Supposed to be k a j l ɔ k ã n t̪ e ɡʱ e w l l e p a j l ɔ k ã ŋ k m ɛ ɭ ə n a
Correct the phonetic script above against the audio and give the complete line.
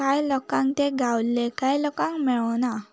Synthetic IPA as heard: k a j l ɔ k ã ŋ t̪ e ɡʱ a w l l e k a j l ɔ k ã ŋ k m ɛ ɭ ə n a

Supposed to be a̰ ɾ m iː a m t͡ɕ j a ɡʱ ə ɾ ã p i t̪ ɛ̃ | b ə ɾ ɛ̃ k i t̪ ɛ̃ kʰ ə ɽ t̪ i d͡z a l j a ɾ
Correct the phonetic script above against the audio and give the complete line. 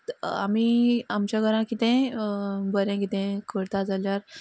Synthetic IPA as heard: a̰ m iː a m t͡ɕ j a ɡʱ ə ɾ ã k i t̪ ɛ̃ | b ə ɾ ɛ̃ k i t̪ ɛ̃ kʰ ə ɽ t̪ a d͡z a l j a ɾ

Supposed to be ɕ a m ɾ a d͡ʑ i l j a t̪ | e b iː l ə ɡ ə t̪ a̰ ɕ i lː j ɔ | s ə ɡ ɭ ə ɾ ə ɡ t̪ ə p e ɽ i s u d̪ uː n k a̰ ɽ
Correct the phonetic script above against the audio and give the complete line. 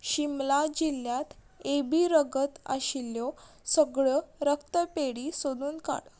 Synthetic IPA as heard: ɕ i m l a d͡ʑ i l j a t̪ | e b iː ɾ ə ɡ ə t̪ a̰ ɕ i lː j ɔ | s ə ɡ ɭ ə ɾ ə k t̪ ə p e ɽ i s o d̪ uː n k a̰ ɽ

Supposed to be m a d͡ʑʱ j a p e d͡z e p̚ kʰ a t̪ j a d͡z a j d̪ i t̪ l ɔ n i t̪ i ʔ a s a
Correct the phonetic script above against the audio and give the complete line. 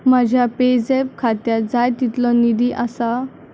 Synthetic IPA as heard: m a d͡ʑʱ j a p e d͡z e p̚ kʰ a t̪ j a d͡z a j t̪ i t̪ l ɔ n i d̪ i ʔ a s a

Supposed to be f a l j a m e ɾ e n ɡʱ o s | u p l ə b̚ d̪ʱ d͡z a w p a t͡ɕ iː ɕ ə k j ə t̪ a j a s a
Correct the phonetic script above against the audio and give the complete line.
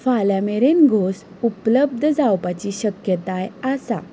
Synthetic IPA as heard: f a l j a m e ɾ e n ɡʱ o s | u p l ə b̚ d̪ʱ d͡z a w p a t͡ɕ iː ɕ ə k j ə t̪ a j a s a

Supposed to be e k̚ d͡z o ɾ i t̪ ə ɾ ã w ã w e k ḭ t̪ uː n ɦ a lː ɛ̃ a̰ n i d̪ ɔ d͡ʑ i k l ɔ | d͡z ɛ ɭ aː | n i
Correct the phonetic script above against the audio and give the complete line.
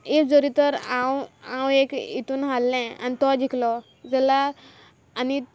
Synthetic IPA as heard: e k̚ d͡z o ɾ i t̪ ə ɾ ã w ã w e k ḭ t̪ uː n ɦ a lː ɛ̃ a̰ n i t̪ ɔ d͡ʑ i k l ɔ | d͡z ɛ l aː | n i

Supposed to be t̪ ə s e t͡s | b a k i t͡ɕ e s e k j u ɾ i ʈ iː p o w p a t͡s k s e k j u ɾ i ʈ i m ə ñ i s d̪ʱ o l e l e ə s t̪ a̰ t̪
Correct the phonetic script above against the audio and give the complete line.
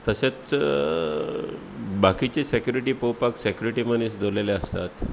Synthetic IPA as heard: t̪ ə s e t͡s | b a k i t͡ɕ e s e k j u ɾ i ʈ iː p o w p a k s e k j u ɾ i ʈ i m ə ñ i s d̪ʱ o l e l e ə s t̪ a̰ t̪

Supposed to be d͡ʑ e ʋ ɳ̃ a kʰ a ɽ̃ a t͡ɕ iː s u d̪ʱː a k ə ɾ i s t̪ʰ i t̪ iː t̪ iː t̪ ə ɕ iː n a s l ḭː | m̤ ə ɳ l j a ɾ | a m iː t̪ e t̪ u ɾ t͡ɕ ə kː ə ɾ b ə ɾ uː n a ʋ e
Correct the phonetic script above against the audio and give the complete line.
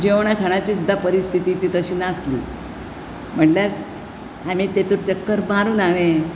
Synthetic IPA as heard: d͡ʑ e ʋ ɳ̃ a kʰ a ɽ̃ a t͡ɕ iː s u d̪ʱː a p ə ɾ i s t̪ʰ i t̪ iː t̪ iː t̪ ə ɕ iː n a s l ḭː | m̤ ə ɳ l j a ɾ | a m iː t̪ e t̪ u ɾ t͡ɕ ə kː ə ɾ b a ɾ uː n a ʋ e

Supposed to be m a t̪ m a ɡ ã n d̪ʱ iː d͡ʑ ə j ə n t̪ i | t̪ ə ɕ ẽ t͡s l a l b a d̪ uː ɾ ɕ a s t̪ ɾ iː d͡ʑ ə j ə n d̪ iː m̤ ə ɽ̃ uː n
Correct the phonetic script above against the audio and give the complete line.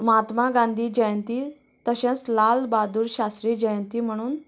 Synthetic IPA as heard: m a t̪ m a ɡ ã n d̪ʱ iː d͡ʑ ə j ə n t̪ i | t̪ ə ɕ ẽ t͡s l a l b a d̪ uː ɾ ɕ a s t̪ ɾ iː d͡ʑ ə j ə n t̪ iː m̤ ə ɽ̃ uː n

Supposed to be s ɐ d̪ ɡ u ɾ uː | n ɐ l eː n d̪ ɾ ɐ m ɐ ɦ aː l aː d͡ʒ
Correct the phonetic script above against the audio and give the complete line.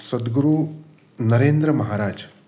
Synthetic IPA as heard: s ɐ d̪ ɡ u ɾ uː | n ɐ ɾ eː n d̪ ɾ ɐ m ɐ ɦ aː ɾ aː d͡ʒ

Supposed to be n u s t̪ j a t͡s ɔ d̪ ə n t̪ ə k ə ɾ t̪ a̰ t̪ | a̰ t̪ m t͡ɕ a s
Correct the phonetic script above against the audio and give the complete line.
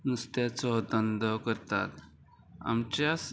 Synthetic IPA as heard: n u s t̪ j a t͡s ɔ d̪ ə n d̪ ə k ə ɾ t̪ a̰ t̪ | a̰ m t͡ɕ a s

